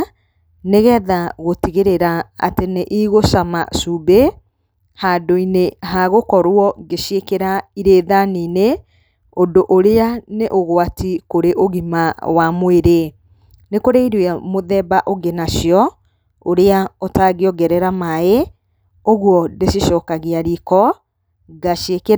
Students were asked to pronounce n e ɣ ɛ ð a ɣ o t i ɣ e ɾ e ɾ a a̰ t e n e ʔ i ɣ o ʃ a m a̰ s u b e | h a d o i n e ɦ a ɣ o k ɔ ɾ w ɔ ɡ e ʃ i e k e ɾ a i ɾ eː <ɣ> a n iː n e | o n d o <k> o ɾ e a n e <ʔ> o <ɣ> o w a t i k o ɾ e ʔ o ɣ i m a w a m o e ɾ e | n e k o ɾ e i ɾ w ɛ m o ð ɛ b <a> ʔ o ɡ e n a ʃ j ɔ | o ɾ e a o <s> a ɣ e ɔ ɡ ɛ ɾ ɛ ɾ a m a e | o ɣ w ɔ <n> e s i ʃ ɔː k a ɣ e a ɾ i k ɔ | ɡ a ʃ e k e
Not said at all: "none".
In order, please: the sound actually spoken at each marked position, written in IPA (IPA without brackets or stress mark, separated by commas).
ð, ʔ, ʔ, ɣ, a, t, d